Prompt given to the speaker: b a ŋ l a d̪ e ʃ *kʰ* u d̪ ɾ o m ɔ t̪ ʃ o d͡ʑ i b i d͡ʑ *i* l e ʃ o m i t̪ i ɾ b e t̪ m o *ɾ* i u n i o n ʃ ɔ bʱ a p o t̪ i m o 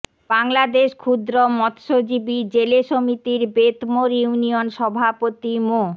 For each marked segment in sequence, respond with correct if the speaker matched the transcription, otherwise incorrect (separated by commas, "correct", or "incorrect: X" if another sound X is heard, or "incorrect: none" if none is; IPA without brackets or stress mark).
correct, incorrect: e, correct